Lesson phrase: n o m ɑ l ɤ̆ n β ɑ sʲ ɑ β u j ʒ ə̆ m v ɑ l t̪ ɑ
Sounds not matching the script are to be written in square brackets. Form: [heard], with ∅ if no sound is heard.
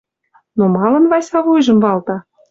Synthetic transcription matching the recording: n o m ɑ l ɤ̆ n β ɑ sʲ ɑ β u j ʒ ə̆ m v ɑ l t̪ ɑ